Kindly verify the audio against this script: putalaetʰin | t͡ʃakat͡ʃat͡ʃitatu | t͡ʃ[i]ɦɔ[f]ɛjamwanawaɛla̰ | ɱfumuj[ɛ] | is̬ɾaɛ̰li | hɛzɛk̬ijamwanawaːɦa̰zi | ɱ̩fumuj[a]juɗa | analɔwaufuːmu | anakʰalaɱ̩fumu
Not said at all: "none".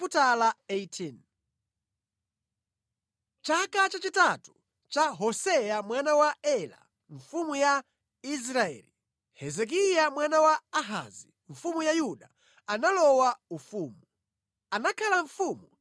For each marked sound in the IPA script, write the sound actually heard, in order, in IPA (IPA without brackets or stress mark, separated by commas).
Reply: a, s, a, a